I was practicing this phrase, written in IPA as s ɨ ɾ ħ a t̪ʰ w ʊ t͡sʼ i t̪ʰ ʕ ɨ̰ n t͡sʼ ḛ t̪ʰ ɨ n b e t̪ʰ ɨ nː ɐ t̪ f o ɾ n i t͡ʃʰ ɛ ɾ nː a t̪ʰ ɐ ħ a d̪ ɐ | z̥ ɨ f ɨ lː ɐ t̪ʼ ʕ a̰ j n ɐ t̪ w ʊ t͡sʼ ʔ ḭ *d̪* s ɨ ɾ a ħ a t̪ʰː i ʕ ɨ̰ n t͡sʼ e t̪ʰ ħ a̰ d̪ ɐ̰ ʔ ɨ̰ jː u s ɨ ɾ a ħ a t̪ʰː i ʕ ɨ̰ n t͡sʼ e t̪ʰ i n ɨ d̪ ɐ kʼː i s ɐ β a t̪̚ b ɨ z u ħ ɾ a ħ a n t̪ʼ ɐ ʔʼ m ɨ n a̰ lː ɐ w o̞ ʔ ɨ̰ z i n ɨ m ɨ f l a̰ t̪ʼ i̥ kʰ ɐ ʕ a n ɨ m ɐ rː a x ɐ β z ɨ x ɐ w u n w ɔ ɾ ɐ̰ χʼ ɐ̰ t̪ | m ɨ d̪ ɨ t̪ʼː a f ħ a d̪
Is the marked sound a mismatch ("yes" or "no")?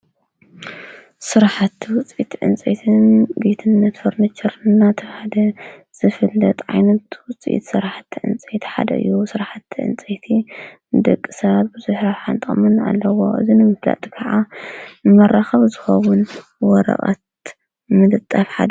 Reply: yes